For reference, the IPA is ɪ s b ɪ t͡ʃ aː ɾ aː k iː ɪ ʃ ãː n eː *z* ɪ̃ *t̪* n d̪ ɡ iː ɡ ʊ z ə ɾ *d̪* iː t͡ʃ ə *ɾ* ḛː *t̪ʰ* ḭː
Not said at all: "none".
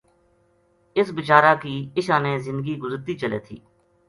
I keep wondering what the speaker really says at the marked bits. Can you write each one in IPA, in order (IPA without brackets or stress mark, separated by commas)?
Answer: z, none, t̪, l, t̪ʰ